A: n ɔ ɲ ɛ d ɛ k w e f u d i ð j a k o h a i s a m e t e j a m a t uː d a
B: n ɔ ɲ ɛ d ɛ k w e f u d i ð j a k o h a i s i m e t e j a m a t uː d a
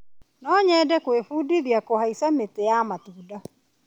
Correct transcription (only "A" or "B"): A